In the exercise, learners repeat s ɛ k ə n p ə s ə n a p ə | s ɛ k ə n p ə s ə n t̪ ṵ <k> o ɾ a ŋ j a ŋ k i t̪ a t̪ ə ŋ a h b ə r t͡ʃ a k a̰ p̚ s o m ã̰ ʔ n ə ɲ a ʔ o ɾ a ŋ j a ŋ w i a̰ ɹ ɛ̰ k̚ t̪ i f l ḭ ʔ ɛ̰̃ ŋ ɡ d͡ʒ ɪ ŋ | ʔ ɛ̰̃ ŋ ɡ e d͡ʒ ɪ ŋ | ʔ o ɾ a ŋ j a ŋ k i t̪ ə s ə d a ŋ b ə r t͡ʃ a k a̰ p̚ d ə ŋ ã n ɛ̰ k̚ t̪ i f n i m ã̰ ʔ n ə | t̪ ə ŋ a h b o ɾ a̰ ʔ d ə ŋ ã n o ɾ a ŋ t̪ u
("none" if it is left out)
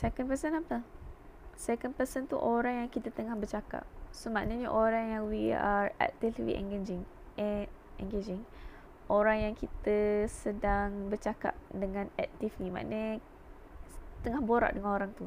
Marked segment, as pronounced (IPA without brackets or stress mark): ʔ